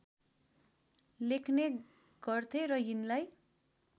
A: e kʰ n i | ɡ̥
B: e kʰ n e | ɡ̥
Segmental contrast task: B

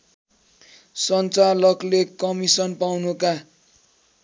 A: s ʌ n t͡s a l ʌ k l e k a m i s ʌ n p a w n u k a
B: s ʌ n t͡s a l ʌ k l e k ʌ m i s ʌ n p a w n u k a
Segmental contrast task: B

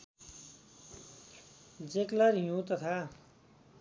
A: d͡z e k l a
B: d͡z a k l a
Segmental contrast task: A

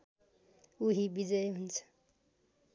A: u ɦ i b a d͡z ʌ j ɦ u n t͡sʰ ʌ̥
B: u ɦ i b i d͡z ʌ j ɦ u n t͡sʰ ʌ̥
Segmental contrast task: B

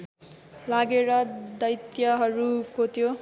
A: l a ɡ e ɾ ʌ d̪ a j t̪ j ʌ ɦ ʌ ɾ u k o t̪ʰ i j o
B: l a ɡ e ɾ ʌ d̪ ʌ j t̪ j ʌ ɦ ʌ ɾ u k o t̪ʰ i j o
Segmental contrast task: B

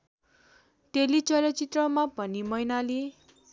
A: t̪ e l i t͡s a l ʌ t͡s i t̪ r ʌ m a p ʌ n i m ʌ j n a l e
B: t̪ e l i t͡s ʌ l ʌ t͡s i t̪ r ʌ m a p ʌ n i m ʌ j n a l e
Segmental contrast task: B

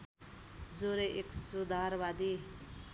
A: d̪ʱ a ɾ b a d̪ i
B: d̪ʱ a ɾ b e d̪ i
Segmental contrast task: A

